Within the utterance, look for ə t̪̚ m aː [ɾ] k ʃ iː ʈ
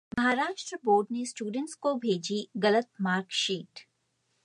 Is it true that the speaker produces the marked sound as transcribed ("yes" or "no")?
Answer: yes